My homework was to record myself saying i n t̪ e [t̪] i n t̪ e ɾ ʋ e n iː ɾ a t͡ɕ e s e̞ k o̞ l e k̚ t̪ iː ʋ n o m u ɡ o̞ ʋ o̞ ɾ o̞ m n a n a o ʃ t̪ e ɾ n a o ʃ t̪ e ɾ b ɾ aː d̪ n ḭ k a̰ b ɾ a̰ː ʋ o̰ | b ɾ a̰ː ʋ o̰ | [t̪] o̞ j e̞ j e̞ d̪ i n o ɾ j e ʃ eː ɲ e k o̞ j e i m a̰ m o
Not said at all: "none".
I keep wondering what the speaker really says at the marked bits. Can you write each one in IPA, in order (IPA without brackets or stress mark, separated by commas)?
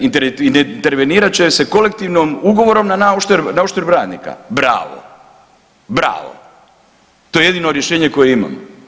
none, t̪